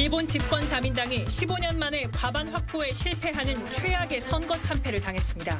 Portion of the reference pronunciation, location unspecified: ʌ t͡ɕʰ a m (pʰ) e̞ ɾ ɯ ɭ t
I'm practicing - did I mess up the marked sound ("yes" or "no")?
no